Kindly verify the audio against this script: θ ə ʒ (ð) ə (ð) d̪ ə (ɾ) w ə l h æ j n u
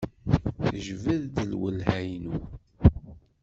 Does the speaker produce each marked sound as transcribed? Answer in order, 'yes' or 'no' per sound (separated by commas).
no, yes, no